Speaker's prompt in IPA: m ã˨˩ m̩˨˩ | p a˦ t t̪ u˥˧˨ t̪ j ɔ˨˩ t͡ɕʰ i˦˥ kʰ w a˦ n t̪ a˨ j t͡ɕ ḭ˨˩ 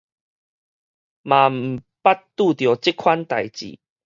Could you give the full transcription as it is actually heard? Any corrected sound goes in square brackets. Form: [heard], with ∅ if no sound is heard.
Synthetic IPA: m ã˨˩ m̩˨˩ | p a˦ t t̪ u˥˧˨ t̪ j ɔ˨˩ [t͡ɕ] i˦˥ kʰ w a˦ n t̪ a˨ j t͡ɕ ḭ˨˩